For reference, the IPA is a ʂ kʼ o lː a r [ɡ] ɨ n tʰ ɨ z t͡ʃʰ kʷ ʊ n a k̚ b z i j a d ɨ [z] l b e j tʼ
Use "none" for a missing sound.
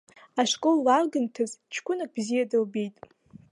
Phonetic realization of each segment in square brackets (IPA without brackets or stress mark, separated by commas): ɡ, none